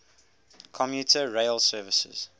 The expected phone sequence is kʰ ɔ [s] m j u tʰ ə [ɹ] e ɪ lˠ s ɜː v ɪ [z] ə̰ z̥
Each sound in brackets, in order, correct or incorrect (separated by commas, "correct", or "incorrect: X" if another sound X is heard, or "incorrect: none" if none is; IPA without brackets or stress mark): incorrect: none, correct, incorrect: s